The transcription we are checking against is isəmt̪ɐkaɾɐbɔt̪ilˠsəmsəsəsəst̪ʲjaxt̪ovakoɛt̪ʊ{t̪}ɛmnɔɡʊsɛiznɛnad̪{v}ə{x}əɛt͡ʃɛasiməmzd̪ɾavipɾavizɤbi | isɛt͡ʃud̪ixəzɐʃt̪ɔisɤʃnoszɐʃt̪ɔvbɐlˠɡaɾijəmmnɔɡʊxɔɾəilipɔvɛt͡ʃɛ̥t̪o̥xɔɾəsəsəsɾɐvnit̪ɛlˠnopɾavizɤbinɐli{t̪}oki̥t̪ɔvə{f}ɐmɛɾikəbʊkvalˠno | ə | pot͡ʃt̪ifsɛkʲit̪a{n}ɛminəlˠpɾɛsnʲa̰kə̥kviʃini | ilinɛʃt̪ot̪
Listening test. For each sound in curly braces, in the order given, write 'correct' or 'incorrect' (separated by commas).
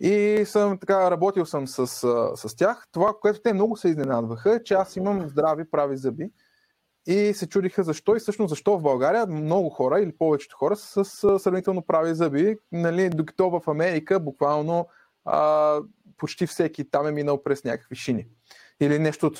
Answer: correct, correct, correct, incorrect, correct, incorrect